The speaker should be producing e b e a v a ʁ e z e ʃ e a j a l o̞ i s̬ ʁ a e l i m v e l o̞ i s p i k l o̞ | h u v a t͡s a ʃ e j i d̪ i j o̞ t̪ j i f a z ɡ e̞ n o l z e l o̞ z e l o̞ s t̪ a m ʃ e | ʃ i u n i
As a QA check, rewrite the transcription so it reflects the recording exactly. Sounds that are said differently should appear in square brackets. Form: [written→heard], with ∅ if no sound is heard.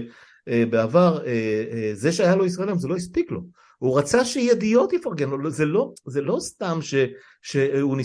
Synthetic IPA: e b e a v a ʁ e z e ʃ e a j a l o̞ i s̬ ʁ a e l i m [v→z] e l o̞ i s p i k l o̞ | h u [v→ʁ] a t͡s a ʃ e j [i→e] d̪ i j o̞ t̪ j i f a [z→ʁ] ɡ e̞ n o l z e l o̞ z e l o̞ s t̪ a m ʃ e | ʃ [i→e] u n i